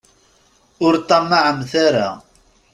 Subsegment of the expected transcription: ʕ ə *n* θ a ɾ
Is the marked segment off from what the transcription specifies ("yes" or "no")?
yes